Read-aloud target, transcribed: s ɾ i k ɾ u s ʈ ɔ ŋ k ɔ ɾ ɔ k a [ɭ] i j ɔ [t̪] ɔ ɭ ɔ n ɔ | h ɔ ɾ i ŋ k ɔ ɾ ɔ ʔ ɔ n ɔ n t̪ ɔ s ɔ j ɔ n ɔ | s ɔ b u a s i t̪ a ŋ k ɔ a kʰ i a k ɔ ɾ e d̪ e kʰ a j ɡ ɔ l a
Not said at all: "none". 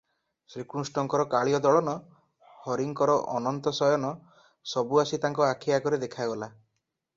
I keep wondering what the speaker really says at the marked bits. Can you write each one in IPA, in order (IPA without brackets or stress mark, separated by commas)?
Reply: ɭ, d̪